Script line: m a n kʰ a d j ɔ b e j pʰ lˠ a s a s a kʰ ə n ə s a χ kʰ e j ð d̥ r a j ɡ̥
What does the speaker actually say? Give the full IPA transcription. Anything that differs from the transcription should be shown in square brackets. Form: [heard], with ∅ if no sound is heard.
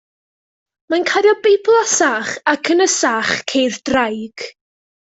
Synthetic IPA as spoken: m a n kʰ a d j ɔ b e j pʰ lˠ a s a [χ] a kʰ ə n ə s a χ kʰ e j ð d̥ r a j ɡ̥